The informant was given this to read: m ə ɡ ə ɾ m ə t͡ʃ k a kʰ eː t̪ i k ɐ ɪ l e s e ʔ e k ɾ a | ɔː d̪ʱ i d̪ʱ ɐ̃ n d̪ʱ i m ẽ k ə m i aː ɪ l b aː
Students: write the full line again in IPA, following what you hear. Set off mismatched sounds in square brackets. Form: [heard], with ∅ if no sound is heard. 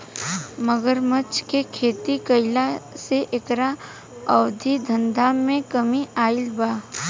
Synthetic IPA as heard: m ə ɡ ə ɾ m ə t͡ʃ k [e] kʰ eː t̪ i k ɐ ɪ l [a] s e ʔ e k ɾ a | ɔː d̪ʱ i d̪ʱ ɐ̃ n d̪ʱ [a] m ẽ k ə m i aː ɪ l b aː